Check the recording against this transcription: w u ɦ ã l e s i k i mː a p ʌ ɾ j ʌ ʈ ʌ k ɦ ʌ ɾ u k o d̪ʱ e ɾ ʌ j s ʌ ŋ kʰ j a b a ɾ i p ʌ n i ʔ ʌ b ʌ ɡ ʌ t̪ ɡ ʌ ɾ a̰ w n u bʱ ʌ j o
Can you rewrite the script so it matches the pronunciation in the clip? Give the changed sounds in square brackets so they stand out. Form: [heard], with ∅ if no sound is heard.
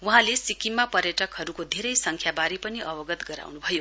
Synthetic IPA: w u ɦ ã l e s i k i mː a p ʌ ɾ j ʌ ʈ ʌ k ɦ ʌ ɾ u k o d̪ʱ e ɾ ʌ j s ʌ ŋ kʰ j a b a ɾ i p ʌ n i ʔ ʌ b ʌ ɡ ʌ t̪ ɡ ʌ ɾ a̰ w n u bʱ ʌ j o